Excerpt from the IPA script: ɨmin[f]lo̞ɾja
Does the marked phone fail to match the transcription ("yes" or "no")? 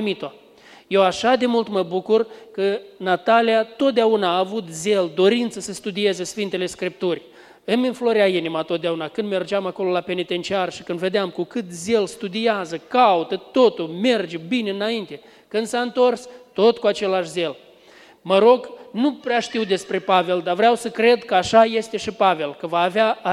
no